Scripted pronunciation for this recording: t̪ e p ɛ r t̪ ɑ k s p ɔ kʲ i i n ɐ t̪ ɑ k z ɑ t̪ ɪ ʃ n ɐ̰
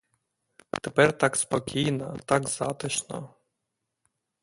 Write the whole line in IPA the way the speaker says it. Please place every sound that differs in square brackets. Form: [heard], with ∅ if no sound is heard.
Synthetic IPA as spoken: t̪ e p ɛ r t̪ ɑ k s p ɔ kʲ i [j] n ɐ t̪ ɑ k z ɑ t̪ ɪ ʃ n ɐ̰